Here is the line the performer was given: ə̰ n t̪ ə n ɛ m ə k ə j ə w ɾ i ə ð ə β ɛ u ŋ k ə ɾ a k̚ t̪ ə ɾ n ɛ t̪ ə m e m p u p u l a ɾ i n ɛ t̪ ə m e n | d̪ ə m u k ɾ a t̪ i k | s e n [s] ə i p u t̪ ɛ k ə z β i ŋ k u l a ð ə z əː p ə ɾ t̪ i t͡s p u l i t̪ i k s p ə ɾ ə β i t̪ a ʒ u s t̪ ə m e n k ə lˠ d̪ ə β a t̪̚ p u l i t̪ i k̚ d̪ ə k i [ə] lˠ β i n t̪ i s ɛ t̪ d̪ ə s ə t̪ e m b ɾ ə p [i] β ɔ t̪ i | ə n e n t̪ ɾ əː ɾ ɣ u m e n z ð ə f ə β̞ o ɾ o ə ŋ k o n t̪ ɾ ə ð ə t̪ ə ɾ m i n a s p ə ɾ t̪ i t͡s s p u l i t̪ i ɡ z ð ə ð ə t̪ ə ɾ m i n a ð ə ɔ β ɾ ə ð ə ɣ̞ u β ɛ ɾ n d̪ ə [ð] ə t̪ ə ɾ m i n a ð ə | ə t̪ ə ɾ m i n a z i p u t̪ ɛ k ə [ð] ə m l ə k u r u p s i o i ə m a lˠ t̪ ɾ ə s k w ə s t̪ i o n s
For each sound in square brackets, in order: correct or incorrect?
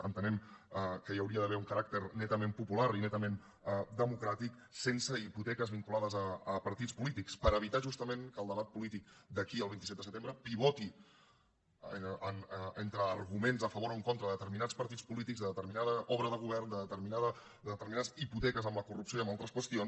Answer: correct, correct, correct, correct, incorrect

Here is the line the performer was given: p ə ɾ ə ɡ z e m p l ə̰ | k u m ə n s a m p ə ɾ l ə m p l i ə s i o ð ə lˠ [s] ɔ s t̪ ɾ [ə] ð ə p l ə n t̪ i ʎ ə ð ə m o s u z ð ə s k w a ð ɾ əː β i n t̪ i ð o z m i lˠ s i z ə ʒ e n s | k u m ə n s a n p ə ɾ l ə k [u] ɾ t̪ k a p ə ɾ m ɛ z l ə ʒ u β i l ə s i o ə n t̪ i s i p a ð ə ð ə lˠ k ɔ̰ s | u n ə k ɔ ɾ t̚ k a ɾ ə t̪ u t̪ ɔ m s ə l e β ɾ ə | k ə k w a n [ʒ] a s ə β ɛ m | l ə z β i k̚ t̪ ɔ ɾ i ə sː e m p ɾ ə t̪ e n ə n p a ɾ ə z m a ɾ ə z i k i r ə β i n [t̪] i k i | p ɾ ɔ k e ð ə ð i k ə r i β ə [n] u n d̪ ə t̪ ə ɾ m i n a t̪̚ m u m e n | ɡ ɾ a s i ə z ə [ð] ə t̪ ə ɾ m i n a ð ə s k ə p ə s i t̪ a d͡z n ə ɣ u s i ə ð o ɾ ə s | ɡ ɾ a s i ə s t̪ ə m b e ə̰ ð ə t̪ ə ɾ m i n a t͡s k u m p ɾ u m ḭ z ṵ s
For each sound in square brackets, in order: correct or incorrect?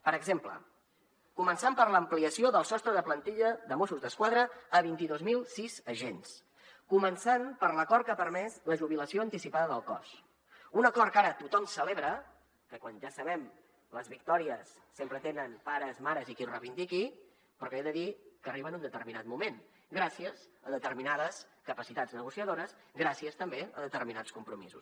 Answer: correct, correct, incorrect, correct, incorrect, correct, correct

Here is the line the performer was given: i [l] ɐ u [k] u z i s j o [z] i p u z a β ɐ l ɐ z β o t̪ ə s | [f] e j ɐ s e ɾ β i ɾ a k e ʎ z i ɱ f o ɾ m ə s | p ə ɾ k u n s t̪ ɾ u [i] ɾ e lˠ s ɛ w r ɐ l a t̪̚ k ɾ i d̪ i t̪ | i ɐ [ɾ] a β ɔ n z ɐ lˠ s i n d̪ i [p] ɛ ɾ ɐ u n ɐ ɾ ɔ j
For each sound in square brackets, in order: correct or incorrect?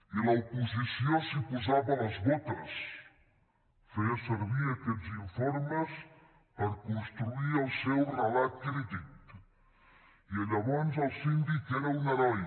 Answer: correct, incorrect, incorrect, correct, correct, incorrect, incorrect

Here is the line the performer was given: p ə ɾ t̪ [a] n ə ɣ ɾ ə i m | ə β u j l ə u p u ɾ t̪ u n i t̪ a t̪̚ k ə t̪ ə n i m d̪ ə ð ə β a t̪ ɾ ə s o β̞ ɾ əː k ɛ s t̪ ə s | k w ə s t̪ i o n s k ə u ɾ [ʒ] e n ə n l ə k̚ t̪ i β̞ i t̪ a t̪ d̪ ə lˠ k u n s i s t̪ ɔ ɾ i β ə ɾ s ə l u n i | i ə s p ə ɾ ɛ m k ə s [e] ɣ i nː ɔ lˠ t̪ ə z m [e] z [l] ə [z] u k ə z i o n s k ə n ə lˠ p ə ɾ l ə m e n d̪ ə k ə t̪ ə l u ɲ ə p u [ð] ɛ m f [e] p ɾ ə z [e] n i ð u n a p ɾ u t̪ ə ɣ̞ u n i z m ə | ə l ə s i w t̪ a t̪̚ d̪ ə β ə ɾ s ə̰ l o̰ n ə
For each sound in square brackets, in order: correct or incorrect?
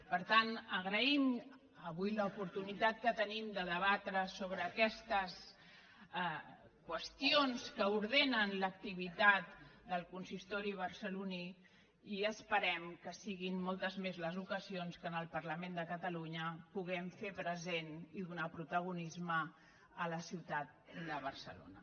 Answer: correct, incorrect, incorrect, correct, correct, correct, incorrect, correct, correct

